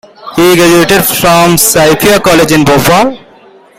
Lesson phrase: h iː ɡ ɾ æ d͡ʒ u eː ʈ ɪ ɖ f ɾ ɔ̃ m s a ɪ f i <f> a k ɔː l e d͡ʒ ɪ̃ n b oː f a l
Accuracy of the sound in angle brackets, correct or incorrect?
incorrect